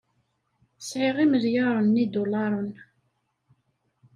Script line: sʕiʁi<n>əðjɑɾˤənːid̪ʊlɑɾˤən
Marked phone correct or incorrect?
incorrect